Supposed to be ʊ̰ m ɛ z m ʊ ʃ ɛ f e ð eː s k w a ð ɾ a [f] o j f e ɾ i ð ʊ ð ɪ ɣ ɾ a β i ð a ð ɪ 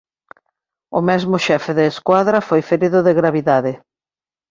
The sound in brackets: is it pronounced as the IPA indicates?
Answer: yes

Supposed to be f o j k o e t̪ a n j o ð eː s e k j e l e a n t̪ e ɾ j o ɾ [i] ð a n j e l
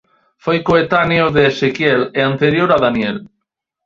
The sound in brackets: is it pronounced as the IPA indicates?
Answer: no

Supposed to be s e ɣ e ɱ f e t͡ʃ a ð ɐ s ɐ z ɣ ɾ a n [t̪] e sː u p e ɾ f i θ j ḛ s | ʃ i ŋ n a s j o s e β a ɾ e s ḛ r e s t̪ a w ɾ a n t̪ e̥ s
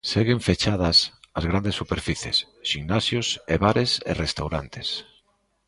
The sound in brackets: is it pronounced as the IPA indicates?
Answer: no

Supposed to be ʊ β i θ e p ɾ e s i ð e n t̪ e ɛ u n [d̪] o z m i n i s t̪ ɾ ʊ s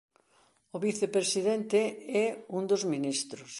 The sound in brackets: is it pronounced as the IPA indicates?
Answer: yes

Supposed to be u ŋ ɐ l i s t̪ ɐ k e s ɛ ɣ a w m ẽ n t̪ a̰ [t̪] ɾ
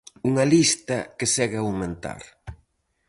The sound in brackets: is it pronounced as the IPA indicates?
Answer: no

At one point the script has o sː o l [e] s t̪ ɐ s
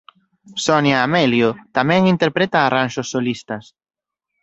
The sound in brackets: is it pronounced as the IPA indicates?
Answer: no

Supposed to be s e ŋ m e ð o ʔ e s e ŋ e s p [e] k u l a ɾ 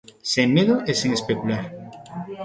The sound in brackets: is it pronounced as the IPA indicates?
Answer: yes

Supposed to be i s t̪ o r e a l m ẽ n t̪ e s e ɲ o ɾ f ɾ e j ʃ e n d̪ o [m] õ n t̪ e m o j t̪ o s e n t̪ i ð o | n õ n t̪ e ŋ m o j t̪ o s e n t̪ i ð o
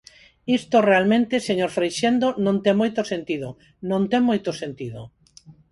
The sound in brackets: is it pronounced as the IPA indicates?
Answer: no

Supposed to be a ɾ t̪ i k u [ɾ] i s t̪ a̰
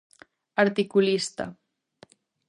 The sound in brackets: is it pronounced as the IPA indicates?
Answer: no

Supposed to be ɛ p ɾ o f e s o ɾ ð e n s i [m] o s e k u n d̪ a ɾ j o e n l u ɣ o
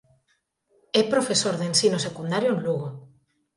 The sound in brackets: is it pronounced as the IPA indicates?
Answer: no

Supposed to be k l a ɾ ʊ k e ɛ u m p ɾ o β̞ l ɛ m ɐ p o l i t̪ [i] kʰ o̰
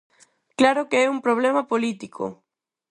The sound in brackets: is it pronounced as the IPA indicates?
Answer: yes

